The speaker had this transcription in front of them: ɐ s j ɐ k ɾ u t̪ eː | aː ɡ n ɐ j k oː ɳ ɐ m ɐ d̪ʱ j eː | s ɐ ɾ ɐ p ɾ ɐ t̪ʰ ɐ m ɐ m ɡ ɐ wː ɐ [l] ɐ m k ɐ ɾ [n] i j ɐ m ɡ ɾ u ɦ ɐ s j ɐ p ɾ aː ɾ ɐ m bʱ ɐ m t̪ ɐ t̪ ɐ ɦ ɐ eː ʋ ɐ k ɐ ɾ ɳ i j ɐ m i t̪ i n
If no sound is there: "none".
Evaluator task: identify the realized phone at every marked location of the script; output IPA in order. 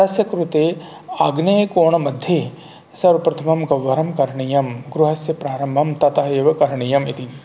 ɾ, ɳ

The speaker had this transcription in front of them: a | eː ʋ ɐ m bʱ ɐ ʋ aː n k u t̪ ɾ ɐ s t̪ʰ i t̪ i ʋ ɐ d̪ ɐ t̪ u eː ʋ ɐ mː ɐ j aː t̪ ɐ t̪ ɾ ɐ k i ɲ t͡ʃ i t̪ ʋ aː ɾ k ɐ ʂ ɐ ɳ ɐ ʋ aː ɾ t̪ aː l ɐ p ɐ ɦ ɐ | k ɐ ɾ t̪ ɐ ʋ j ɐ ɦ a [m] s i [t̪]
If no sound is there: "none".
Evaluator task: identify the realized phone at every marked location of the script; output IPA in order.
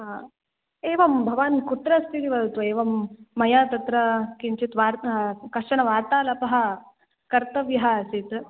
none, t̪

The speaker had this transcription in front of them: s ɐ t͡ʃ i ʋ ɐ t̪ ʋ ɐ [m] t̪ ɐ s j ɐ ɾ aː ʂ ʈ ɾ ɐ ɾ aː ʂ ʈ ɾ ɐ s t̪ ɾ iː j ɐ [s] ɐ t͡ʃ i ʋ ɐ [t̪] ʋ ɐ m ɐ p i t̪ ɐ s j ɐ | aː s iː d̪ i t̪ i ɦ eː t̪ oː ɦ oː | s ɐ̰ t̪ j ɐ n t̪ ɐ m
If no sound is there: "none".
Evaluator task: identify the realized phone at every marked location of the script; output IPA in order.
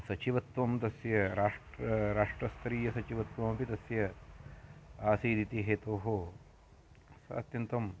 m, s, t̪

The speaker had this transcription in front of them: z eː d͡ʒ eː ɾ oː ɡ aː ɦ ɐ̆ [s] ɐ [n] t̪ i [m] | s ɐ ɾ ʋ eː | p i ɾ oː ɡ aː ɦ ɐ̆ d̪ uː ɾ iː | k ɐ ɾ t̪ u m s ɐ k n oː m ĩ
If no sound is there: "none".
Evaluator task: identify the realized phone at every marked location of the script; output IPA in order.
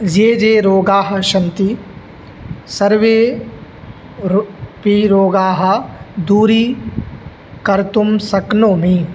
ʃ, n, none

